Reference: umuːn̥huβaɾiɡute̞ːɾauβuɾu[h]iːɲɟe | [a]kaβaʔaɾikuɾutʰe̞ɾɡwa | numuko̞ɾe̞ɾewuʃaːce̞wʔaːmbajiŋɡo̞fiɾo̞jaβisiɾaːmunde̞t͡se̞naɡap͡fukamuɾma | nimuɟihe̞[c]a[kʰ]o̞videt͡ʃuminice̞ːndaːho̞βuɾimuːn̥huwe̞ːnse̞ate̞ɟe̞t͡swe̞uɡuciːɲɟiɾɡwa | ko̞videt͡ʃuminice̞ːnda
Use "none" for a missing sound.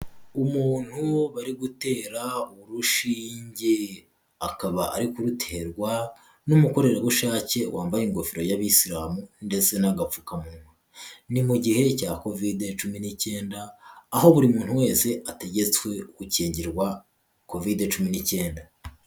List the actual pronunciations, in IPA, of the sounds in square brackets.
ʃ, a, c, k

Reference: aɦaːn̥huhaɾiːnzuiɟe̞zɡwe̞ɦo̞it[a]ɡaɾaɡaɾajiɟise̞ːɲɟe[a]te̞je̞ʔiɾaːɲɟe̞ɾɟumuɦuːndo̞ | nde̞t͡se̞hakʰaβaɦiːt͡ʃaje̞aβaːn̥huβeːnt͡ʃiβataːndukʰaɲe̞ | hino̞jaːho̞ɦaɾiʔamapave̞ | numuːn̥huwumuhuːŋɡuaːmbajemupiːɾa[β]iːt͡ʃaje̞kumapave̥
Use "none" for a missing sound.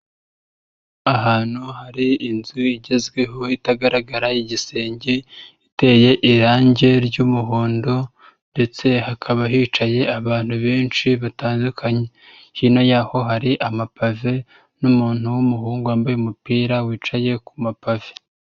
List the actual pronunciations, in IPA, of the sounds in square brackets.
a, i, w

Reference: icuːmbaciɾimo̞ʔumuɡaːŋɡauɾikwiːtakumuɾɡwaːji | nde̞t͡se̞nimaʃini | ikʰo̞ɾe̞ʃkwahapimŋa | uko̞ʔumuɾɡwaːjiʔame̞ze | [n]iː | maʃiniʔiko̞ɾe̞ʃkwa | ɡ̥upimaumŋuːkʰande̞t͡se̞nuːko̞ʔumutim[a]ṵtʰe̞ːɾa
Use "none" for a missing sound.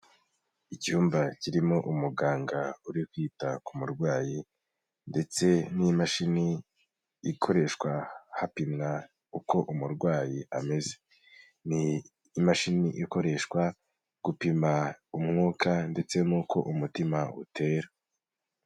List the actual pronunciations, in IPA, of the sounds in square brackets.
n, a

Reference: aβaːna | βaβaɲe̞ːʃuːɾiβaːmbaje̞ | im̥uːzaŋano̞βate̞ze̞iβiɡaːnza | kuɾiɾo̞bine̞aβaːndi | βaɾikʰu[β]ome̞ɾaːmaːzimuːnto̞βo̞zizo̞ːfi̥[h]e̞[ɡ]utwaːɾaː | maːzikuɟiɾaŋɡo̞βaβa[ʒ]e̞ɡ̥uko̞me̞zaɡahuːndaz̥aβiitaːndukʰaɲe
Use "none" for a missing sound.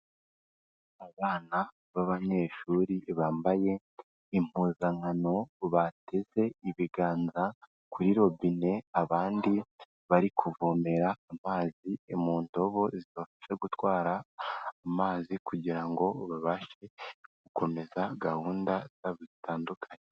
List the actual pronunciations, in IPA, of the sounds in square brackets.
v, s, ɡ, ʃ

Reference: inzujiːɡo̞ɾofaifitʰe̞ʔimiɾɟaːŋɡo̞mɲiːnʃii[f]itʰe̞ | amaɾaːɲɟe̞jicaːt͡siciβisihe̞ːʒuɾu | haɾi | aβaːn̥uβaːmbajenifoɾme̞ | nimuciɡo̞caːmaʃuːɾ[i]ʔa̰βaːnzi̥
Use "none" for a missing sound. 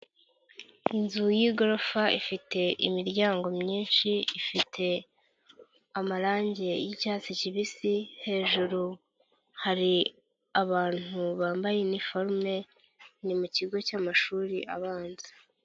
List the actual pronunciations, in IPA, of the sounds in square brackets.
f, i

